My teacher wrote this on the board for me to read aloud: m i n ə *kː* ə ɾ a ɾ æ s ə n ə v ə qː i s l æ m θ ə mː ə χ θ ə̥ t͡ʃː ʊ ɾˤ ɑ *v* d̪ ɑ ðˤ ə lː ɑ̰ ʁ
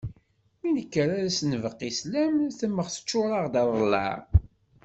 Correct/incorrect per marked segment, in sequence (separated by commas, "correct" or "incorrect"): correct, incorrect